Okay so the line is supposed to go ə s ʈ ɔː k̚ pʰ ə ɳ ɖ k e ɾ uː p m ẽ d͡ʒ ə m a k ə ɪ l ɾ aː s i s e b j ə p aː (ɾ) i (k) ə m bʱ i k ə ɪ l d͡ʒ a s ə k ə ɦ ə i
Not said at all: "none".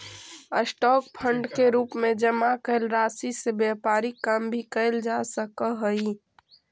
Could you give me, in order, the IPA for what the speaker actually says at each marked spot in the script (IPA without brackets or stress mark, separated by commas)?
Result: ɾ, k